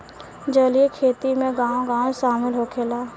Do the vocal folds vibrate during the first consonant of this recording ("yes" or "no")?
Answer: yes